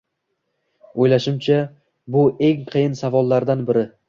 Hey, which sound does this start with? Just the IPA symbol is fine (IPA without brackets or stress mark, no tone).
o